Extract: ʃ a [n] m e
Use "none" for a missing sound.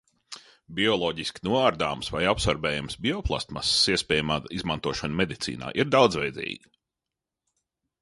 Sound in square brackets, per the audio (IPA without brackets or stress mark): n